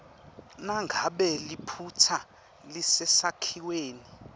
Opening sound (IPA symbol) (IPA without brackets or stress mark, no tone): n